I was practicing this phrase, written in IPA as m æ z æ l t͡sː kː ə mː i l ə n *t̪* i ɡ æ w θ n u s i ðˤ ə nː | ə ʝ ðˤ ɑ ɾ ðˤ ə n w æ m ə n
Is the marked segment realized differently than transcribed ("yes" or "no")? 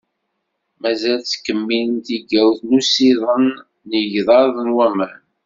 no